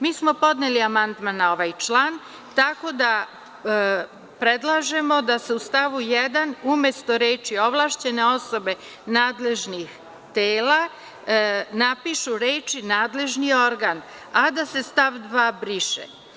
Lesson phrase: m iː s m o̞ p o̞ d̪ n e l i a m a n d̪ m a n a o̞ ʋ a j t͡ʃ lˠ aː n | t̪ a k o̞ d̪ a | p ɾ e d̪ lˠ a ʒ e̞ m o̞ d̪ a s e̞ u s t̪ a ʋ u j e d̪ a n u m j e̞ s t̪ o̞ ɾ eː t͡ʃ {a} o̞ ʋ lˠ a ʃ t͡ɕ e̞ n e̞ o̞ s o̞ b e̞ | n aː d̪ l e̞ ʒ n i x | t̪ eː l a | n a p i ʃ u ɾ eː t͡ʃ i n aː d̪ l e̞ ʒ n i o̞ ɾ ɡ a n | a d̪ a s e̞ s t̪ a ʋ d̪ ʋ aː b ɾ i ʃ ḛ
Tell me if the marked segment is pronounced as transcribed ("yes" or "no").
no